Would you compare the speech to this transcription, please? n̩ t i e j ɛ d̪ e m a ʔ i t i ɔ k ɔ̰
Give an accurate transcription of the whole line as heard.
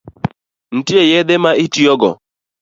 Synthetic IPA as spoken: n̩ t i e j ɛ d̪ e m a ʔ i t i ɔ ɡ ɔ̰